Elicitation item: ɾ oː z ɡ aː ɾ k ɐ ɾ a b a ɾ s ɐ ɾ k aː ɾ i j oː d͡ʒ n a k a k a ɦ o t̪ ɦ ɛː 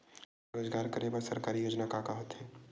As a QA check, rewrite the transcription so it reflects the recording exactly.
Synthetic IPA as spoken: ɾ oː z ɡ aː ɾ k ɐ ɾ e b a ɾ s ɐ ɾ k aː ɾ i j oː d͡ʒ n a k a k a ɦ o t̪ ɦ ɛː